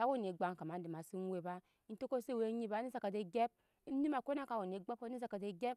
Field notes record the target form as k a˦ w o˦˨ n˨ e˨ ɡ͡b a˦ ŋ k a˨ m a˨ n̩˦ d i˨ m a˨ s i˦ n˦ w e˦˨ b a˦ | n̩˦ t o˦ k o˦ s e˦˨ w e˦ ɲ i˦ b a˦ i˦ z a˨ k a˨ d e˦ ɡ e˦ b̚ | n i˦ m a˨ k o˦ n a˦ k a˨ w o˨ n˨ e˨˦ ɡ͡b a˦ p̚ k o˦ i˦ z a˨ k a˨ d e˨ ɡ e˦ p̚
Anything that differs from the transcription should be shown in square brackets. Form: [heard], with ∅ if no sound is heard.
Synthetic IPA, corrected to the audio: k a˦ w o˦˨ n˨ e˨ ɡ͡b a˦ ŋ k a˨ m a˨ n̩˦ d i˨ m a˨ s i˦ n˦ w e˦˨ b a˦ | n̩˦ t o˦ k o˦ s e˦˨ w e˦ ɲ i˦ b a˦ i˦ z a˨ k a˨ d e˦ ɡ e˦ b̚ | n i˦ m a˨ k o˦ n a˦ k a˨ w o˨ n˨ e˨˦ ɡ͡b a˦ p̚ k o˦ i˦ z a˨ k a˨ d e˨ ɡ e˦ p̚